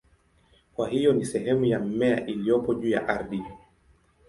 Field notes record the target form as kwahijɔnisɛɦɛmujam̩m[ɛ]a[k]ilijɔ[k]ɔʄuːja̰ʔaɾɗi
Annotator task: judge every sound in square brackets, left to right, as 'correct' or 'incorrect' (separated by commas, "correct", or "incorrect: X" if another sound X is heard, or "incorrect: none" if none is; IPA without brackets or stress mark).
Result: correct, incorrect: ʔ, incorrect: p